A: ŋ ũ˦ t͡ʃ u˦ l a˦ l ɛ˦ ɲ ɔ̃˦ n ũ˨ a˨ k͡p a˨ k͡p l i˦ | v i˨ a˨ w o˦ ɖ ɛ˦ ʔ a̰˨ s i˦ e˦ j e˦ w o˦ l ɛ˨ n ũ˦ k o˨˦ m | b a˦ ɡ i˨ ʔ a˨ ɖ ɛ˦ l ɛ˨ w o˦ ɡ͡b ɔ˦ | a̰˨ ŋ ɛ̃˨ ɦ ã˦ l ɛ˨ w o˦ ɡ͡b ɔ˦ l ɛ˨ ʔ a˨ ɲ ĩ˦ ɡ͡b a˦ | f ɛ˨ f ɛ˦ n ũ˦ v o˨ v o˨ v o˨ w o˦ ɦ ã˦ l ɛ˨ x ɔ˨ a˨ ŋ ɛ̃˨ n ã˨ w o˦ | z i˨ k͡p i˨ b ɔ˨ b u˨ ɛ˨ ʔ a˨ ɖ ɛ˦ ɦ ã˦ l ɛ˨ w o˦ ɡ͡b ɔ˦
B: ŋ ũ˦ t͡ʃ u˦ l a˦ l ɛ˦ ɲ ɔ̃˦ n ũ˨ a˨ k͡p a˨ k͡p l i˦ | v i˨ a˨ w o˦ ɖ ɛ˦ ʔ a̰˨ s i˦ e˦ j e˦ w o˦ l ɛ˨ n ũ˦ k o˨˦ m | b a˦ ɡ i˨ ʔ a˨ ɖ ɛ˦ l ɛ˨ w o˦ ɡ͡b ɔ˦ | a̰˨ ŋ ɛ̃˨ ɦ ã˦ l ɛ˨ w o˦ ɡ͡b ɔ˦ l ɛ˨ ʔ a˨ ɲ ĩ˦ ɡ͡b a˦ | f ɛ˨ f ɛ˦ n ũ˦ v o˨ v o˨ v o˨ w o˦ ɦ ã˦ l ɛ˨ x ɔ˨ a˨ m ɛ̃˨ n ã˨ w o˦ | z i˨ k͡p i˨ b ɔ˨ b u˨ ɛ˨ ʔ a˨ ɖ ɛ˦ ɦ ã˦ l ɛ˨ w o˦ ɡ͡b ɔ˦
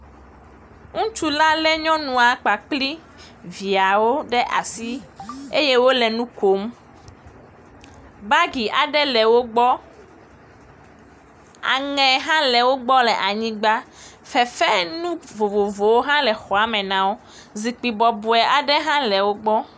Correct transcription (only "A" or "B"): B